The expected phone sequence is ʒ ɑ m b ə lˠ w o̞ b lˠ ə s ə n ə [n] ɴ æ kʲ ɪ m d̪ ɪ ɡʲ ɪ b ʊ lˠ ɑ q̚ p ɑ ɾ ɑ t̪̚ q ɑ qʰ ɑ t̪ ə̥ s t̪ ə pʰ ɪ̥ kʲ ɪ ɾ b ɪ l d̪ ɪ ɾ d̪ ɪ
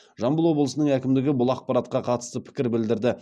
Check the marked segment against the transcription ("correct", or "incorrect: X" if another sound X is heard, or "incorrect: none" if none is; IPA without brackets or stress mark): incorrect: none